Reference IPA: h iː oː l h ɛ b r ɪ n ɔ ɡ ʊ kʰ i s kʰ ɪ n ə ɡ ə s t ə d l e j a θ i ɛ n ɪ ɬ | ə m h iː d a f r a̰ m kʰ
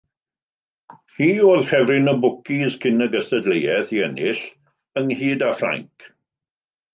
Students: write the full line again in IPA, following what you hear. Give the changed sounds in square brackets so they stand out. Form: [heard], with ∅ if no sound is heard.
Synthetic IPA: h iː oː l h ɛ [v] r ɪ n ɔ [b] ʊ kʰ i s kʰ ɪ n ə ɡ ə s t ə d l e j [ɛ] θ i ɛ n ɪ ɬ | ə [ŋ] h iː d a f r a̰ [ŋ] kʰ

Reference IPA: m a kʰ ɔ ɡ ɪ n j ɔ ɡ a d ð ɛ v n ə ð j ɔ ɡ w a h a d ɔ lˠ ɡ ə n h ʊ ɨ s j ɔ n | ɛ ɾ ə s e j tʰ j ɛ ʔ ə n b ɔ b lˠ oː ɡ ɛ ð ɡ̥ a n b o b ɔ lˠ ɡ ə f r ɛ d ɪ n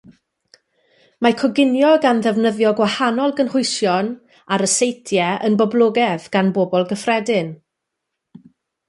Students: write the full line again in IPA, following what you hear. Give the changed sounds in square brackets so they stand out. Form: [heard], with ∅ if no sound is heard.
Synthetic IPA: m a kʰ ɔ ɡ ɪ n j ɔ ɡ a [n] ð ɛ v n ə ð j ɔ ɡ w a h a [n] ɔ lˠ ɡ ə n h ʊ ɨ s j ɔ n | [a] ɾ ə s e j tʰ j ɛ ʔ ə n b ɔ b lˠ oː ɡ ɛ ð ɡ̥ a n b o b ɔ lˠ ɡ ə f r ɛ d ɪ n

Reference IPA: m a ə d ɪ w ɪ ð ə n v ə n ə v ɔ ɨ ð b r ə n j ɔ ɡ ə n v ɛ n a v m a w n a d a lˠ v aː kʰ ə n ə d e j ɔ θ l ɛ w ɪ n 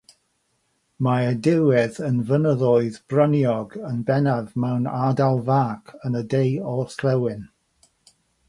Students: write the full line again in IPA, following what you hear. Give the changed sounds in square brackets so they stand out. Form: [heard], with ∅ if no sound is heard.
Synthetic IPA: m a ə d ɪ w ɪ ð ə n v ə n ə [ð] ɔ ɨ ð b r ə n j ɔ ɡ ə n [b] ɛ n a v m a w n a d a lˠ v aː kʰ ə n ə d e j ɔ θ l ɛ w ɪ n

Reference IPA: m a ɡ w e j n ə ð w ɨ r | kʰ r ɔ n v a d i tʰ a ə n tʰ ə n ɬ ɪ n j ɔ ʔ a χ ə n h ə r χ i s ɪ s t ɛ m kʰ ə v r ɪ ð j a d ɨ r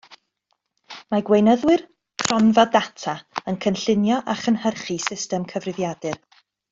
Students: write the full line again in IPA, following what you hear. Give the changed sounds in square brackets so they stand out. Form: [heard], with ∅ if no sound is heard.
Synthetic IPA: m a ɡ w e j n ə ð w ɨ r | kʰ r ɔ n v a d [a] tʰ a ə n [kʰ] ə n ɬ ɪ n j ɔ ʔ a χ ə n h ə r χ i s ɪ s t ɛ m kʰ ə v r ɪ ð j a d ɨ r

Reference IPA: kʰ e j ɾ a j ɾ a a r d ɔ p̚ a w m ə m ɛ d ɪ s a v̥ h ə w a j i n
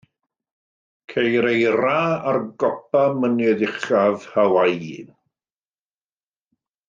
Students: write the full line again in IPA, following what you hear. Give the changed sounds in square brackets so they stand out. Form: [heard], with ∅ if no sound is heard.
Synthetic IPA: kʰ e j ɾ [e] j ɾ a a r [ɡ] ɔ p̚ a [∅] m ə [n] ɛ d ɪ [χ] a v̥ h [a] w a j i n

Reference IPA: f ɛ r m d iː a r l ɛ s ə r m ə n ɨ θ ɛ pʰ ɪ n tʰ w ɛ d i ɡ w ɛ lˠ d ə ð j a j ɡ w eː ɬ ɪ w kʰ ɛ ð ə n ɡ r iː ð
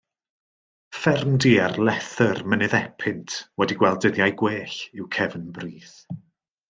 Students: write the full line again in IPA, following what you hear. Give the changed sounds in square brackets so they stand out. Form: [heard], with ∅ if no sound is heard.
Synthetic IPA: f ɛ r m d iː a r l ɛ [θ] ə r m ə n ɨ [ð] ɛ pʰ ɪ n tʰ w ɛ d i ɡ w ɛ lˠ d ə ð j a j ɡ w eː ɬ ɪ w kʰ ɛ [v] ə n [b] r iː [θ]

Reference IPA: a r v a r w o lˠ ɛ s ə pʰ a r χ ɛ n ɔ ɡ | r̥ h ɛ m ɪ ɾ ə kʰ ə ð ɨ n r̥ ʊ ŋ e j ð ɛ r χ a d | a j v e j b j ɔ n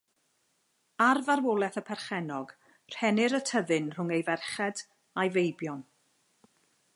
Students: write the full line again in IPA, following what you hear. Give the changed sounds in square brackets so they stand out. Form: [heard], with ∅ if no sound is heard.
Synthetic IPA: a r v a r w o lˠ ɛ [θ] ə pʰ [ɛ] r χ ɛ n ɔ ɡ | r̥ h ɛ [n] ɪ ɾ ə [tʰ] ə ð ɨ n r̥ ʊ ŋ e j [v] ɛ r χ [ɛ] d | a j v e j b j ɔ n

